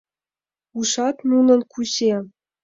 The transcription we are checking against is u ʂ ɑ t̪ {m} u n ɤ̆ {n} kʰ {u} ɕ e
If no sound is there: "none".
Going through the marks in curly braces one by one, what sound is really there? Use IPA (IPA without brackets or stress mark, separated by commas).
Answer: n, n, u